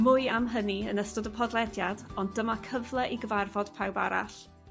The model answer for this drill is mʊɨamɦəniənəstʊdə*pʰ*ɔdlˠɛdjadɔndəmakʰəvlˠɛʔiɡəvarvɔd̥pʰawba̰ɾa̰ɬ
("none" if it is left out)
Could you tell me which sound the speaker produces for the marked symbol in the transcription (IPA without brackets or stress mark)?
pʰ